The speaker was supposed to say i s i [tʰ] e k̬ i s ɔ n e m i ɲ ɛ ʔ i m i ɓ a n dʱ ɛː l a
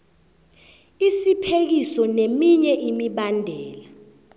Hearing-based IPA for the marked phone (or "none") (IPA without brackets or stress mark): pʰ